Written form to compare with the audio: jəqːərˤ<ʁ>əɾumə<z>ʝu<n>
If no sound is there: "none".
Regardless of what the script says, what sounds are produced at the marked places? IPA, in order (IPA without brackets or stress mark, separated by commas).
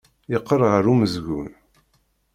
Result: ʁ, z, n